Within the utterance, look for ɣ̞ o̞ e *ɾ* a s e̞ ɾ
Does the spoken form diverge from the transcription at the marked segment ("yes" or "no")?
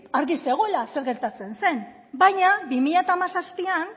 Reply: yes